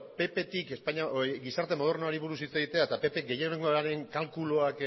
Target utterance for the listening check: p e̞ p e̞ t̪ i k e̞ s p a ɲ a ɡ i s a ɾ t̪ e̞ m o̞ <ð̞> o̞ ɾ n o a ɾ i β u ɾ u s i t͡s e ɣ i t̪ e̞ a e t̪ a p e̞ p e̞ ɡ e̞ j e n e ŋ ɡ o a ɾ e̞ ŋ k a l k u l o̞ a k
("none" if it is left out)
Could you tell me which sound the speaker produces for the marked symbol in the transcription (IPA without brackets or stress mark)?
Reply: ð̞